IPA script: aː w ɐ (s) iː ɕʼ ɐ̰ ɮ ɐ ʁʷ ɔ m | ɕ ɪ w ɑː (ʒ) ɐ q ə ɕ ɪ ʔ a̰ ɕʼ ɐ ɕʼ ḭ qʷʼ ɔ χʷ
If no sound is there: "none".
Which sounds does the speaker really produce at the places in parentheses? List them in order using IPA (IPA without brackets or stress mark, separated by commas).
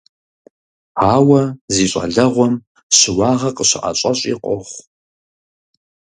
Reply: z, ʁ